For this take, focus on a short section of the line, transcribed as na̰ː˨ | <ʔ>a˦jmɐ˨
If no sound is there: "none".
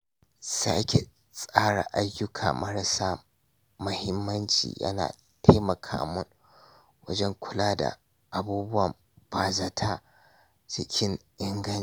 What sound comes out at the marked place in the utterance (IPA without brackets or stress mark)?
t